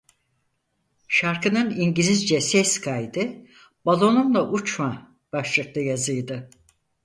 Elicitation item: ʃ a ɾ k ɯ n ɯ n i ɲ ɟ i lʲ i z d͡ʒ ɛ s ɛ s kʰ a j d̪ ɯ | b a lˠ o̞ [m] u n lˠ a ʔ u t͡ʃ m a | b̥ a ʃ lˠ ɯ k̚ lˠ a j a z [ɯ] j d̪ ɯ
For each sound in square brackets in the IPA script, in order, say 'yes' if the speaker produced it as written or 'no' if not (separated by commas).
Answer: no, yes